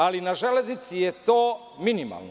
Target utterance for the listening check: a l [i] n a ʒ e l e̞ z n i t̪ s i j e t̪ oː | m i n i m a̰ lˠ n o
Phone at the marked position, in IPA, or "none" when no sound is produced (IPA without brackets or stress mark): i